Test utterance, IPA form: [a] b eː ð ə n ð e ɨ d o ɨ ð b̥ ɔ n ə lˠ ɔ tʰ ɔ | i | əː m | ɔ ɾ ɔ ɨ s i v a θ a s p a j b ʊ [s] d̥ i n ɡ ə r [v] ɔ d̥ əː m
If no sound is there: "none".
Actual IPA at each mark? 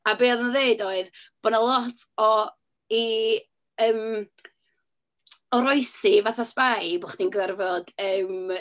a, χ, v

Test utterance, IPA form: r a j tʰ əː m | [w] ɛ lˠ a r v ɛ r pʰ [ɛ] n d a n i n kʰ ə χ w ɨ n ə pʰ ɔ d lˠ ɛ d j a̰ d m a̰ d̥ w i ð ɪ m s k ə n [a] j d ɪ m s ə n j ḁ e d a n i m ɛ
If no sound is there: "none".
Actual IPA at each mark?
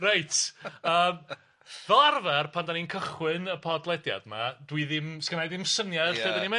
v, a, a

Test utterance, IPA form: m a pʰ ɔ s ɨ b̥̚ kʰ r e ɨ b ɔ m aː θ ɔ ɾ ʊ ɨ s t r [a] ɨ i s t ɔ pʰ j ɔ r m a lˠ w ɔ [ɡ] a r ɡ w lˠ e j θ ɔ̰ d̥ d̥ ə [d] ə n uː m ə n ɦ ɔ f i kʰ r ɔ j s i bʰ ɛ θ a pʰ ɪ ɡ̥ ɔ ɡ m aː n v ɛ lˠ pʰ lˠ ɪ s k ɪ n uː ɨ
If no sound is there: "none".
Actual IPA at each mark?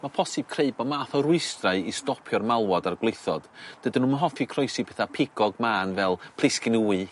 a, d, d

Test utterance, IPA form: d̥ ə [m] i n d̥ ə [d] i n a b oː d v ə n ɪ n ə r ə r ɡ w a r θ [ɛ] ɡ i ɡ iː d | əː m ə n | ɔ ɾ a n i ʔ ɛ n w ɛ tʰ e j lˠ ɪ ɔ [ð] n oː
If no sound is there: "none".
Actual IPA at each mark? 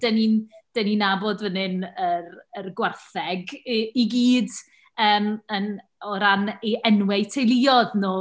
n, n, ɛ, ð

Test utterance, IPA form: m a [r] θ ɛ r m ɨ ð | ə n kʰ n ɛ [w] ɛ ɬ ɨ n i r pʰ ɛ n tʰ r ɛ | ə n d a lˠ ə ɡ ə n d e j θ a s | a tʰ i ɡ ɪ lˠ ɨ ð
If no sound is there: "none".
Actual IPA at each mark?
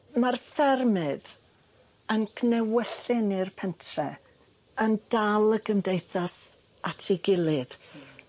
r, w

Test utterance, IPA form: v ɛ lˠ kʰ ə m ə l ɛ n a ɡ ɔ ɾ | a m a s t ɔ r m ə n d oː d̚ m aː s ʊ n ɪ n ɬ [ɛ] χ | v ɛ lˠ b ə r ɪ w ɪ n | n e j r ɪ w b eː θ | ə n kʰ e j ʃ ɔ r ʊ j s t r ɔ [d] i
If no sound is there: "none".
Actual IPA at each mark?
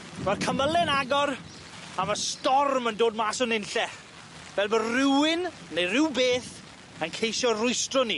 ɛ, n

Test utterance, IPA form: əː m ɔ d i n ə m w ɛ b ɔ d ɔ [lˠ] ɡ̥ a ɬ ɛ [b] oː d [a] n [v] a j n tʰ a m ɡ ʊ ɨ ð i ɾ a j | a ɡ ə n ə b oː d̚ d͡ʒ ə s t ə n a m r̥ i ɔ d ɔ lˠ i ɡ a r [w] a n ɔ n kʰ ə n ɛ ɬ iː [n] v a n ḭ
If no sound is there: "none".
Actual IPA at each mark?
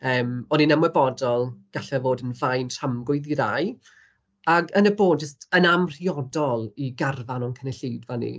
lˠ, v, ə, v, v, d

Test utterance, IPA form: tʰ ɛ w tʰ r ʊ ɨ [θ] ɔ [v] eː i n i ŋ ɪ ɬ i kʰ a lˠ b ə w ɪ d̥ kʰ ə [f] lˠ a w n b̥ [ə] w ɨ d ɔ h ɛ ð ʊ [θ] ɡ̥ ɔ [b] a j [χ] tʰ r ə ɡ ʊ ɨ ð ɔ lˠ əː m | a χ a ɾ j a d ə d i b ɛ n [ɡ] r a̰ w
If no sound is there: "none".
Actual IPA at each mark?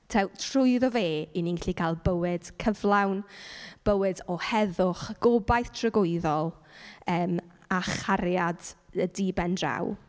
ð, v, v, ə, χ, b, θ, d

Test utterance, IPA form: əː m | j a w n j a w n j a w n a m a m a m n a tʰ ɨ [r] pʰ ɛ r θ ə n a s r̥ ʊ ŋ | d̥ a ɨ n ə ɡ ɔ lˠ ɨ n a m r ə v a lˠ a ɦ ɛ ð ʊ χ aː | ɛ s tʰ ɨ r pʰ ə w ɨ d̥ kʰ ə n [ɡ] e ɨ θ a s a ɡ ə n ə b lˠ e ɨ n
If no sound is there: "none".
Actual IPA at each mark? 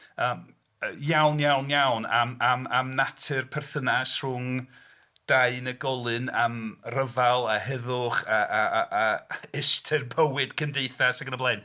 r, d

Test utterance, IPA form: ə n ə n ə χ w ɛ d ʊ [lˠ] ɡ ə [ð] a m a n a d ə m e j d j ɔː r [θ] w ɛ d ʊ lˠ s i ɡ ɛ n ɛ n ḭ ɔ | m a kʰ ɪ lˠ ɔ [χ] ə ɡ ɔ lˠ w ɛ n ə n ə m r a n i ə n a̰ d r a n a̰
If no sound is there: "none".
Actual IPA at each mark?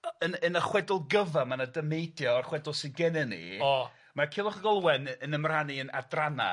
lˠ, v, χ, χ

